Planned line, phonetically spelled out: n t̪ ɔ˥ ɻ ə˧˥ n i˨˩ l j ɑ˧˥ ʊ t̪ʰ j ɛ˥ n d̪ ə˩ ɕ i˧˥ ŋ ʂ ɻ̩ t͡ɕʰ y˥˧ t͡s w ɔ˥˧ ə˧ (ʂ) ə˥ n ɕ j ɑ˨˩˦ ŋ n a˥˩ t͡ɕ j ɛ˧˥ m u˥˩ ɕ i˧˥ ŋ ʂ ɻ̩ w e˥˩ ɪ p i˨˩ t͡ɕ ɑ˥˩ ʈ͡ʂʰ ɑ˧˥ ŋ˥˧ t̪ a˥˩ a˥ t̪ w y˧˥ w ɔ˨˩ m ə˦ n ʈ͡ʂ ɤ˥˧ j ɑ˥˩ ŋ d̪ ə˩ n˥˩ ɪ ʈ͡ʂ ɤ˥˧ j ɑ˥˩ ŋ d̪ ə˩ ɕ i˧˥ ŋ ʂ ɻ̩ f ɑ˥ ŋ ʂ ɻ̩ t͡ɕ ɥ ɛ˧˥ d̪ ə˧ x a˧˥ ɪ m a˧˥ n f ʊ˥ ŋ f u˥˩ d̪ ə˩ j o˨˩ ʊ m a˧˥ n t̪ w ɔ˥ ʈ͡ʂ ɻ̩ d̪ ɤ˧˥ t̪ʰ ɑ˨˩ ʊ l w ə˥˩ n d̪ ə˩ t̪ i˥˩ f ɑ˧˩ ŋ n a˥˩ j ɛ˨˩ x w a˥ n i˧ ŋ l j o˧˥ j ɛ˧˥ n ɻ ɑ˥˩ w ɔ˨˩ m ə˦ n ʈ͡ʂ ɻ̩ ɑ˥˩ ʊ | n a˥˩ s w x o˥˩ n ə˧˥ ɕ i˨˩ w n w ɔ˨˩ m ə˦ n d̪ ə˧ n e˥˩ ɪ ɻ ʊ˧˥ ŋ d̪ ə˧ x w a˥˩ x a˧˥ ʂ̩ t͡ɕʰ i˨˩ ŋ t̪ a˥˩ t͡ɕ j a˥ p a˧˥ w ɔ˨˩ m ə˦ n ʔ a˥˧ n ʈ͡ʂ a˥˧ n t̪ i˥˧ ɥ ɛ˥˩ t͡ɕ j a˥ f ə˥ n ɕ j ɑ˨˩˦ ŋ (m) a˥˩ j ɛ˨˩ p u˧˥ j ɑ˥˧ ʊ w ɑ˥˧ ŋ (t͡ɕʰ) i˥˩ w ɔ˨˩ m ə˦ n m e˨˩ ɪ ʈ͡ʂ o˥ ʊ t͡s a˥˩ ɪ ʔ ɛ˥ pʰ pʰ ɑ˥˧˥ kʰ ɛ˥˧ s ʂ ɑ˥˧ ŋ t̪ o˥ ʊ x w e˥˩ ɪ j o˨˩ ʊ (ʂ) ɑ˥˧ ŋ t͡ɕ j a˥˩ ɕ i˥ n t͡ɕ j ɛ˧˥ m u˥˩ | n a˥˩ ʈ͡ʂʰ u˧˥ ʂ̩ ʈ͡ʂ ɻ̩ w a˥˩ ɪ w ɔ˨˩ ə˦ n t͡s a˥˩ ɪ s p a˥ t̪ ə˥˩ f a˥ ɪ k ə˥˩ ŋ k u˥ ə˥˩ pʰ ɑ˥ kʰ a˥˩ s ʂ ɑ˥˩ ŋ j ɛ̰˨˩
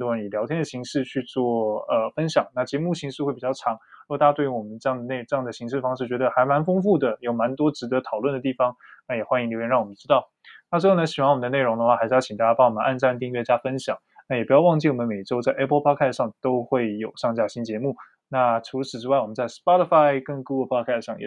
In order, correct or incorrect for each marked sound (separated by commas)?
incorrect, incorrect, incorrect, correct